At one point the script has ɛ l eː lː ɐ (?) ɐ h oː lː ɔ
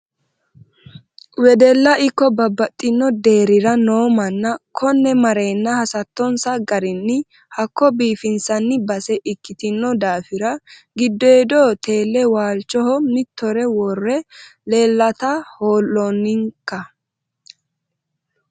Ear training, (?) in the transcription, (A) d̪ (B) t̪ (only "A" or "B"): B